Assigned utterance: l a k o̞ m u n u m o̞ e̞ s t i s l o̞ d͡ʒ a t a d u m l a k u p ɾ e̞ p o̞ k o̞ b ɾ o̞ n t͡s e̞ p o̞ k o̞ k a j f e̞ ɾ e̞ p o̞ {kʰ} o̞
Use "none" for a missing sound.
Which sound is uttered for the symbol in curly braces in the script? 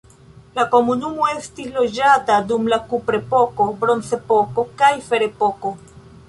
k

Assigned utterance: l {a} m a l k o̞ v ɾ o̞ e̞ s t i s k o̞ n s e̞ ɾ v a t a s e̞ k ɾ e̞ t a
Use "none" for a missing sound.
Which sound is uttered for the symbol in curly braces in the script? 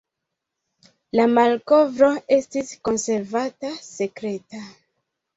a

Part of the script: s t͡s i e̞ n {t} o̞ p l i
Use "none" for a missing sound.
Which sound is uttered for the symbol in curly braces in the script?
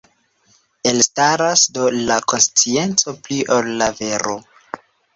t͡s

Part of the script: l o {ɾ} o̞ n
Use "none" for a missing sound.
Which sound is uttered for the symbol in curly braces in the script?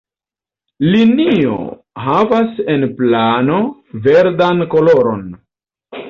ɾ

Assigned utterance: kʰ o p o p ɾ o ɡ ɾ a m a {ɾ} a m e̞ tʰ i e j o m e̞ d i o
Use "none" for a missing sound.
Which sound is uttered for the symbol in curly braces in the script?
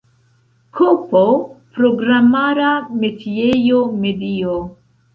ɾ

